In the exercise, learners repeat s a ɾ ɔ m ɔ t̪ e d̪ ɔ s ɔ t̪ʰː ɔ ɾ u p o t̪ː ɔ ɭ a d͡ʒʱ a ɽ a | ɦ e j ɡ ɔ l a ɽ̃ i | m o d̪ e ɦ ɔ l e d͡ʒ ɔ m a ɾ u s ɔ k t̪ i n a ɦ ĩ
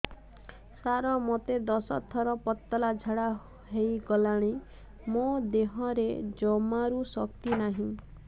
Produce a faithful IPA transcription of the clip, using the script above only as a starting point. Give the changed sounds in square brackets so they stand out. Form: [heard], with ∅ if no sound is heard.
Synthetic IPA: s a ɾ ɔ m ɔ t̪ e d̪ ɔ s ɔ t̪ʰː ɔ ɾ [ɔ] p [ɔ] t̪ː ɔ [l] a d͡ʒʱ a ɽ a | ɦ e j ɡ ɔ l a ɽ̃ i | m o d̪ e ɦ ɔ [ɾ] e d͡ʒ ɔ m a ɾ u s ɔ k t̪ i n a ɦ ĩ